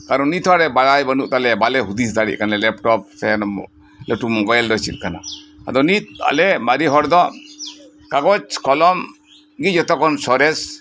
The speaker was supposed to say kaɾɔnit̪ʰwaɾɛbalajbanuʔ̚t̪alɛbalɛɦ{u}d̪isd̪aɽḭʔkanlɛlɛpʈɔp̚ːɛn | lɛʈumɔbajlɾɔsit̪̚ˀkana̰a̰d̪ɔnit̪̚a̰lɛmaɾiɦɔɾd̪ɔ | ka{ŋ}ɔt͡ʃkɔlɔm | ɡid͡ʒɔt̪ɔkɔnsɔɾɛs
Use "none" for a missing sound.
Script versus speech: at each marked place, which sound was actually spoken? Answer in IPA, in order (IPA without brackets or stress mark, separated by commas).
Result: u, ɡ